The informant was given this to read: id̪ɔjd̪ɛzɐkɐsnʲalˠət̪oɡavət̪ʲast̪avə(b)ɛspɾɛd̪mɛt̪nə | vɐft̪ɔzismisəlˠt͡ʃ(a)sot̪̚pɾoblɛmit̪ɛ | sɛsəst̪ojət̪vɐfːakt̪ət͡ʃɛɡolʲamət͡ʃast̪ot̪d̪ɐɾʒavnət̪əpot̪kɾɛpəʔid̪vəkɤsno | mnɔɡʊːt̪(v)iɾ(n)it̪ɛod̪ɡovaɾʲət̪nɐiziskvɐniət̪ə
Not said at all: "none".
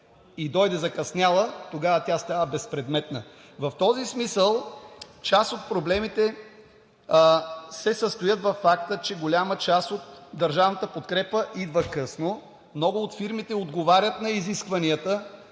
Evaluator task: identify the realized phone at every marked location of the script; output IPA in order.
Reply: b, a, f, m

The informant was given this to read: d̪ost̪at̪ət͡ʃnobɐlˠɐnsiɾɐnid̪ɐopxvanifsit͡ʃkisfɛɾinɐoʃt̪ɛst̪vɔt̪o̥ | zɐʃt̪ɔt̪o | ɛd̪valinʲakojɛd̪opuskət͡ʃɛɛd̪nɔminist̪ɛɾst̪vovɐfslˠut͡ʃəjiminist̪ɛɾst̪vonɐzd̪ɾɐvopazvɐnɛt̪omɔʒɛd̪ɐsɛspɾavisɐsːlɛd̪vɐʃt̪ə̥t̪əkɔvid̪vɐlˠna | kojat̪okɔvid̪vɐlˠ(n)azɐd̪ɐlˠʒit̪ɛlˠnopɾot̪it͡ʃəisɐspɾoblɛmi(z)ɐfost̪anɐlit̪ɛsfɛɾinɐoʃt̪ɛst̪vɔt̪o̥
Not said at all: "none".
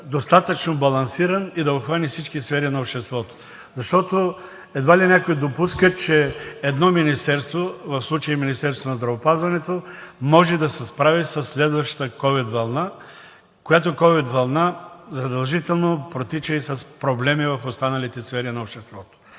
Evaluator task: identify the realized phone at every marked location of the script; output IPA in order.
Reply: n, v

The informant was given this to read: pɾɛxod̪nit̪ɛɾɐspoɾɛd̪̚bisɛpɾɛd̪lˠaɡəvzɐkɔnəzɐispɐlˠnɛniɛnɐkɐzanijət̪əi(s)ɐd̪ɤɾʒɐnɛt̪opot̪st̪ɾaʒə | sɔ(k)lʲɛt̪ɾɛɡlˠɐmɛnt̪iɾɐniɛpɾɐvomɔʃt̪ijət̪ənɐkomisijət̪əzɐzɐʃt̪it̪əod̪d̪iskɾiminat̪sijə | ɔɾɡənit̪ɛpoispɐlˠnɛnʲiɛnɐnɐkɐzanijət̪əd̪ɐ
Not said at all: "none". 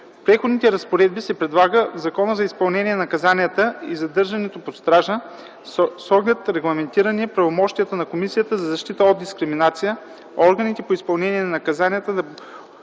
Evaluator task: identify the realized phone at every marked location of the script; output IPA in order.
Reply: z, ɡ

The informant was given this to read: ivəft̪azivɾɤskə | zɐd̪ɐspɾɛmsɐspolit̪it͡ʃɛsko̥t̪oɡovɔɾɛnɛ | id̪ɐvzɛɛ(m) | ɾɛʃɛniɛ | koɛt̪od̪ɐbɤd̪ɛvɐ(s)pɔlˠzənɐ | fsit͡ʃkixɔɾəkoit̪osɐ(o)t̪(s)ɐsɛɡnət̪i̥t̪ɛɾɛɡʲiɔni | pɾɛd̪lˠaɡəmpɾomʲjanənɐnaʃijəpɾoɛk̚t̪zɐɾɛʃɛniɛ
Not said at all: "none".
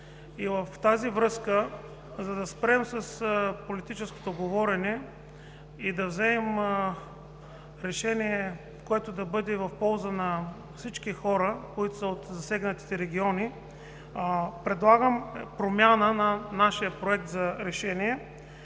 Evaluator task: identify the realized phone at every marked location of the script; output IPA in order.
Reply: m, f, o, z

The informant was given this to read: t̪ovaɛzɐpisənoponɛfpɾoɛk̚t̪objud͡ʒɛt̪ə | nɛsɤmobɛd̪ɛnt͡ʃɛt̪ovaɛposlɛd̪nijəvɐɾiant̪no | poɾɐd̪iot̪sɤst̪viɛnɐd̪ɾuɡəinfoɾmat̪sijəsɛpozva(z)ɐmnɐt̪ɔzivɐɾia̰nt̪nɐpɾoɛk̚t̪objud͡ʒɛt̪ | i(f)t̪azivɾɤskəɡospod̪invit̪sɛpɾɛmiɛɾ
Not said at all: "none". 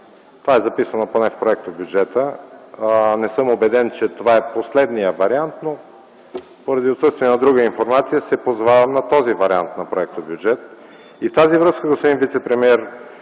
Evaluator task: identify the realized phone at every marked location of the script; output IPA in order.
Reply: v, f

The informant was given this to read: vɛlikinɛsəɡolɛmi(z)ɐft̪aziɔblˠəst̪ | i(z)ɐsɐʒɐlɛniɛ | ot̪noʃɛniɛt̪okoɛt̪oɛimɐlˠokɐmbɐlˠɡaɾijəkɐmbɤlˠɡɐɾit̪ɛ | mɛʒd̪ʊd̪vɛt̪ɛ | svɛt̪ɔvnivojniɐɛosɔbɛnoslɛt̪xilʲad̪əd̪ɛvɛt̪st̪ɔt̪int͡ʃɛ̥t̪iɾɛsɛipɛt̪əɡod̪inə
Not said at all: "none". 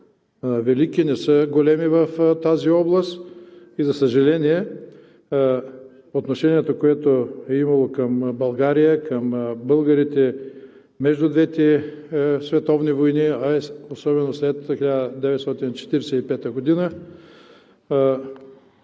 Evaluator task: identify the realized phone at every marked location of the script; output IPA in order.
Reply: v, z

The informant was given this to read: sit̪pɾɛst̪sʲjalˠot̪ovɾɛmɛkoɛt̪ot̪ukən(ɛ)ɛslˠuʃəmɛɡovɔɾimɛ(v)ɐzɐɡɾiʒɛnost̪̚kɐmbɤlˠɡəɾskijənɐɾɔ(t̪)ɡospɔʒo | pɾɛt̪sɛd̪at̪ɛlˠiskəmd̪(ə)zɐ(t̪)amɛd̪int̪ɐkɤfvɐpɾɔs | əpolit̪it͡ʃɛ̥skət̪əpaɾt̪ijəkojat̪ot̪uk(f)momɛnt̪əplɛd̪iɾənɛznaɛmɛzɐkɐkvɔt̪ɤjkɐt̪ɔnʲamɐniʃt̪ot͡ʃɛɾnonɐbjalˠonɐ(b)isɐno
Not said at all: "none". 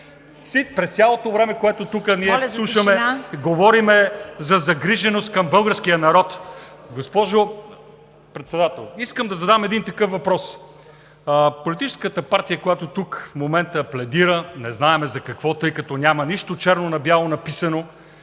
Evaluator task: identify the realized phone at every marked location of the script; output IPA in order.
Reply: i, z, t̪, ɐ, d̪, f, p

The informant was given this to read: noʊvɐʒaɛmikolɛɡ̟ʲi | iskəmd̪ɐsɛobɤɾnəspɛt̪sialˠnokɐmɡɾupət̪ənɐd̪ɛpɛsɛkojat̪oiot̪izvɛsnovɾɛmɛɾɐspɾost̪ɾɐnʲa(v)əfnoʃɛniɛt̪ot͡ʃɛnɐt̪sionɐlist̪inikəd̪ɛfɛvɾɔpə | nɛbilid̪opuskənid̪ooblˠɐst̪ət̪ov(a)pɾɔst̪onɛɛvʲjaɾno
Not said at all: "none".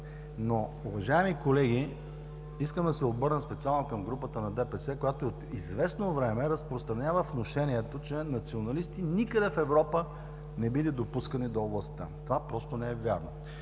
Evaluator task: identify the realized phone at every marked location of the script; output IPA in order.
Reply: v, a

